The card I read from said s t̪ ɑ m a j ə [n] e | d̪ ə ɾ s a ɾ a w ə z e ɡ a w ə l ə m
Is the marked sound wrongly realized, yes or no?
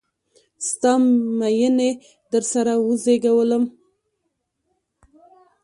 no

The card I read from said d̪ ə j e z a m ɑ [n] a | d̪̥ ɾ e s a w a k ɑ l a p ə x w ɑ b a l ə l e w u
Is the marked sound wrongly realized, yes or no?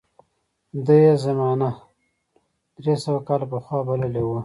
no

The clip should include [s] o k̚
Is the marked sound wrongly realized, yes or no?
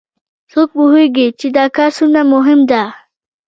no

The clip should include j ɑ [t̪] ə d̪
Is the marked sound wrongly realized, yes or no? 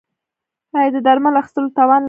yes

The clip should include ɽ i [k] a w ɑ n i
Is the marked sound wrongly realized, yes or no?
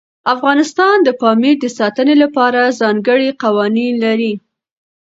yes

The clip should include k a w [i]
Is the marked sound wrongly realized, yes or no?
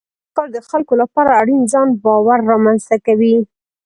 no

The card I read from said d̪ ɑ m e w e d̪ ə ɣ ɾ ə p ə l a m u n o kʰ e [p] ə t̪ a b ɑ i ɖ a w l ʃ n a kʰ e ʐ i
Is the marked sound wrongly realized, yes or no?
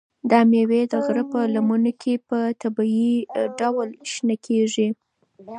no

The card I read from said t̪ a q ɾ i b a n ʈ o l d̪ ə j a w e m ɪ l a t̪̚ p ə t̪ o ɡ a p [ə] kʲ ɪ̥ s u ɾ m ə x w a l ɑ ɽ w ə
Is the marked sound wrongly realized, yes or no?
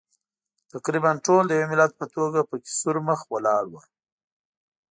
no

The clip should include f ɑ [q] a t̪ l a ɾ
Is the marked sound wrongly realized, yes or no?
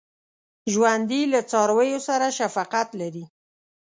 no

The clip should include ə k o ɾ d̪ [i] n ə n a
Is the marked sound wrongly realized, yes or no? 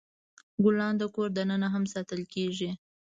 yes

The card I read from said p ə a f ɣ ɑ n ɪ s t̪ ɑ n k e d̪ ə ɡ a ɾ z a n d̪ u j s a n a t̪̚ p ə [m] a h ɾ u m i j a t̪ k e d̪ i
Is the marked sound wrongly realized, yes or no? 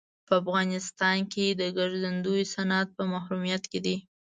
no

